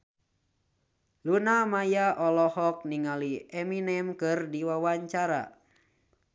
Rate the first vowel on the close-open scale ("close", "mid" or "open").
close